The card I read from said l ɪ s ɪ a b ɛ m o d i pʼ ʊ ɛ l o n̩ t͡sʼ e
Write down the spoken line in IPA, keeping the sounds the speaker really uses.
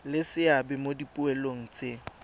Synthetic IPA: l ɪ s ɪ a b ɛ m o d i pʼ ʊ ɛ l o ŋ̩ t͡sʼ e